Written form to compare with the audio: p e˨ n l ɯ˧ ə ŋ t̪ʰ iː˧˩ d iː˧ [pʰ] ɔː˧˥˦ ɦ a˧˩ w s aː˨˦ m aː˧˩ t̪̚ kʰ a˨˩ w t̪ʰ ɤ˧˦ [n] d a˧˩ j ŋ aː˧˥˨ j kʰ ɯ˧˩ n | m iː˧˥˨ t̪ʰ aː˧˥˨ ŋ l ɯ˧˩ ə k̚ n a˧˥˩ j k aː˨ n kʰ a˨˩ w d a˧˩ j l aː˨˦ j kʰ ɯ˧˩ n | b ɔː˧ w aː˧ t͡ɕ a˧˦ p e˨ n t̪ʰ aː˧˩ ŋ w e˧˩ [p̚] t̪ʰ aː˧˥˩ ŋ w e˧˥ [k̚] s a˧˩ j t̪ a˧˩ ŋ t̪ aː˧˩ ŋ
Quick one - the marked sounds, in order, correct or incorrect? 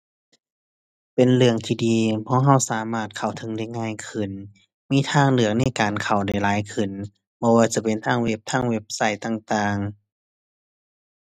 correct, incorrect, correct, incorrect

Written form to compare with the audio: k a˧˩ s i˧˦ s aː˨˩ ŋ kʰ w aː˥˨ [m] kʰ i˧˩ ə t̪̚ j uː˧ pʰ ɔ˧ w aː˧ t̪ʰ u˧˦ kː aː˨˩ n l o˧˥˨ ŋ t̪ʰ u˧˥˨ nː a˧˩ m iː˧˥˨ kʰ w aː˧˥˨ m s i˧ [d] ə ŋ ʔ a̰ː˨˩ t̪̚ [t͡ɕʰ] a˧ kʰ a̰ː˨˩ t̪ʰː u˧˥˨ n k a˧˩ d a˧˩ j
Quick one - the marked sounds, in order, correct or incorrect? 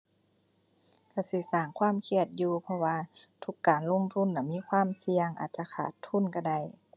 correct, incorrect, incorrect

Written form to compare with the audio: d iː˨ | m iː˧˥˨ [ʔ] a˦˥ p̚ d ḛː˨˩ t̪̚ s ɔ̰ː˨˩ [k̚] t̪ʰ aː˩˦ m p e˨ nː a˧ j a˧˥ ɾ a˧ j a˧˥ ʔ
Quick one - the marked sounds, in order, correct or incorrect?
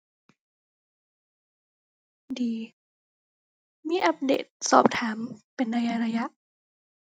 correct, incorrect

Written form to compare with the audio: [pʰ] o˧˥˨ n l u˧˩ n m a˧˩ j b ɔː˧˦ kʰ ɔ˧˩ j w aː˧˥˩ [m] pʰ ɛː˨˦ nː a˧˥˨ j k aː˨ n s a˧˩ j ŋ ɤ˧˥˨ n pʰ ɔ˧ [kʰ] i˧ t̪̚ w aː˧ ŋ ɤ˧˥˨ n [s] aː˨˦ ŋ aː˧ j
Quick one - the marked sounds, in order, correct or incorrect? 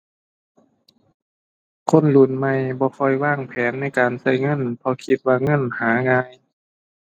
incorrect, incorrect, correct, incorrect

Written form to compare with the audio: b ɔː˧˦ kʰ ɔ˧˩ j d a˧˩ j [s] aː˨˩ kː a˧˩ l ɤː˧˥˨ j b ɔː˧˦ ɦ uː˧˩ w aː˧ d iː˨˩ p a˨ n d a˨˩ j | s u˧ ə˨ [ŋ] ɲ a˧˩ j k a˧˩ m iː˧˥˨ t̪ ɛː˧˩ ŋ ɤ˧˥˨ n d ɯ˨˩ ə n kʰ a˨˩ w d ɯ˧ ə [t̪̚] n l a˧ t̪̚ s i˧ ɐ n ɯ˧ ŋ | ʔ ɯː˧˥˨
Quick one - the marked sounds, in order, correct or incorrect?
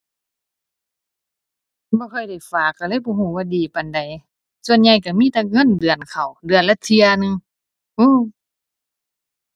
incorrect, incorrect, incorrect

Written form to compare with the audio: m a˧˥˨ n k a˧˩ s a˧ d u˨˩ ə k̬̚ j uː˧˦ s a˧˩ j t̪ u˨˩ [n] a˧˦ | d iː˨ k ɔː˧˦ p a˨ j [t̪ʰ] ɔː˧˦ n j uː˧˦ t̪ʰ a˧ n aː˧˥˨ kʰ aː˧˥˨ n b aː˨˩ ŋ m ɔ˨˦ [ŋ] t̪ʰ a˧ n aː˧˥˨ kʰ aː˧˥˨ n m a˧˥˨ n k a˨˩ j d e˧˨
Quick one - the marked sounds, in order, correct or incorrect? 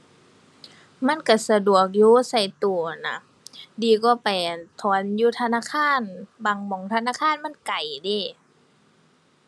correct, correct, correct

